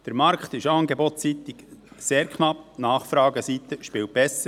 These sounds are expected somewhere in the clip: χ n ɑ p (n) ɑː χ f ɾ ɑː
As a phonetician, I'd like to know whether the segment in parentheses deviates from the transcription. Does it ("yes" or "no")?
no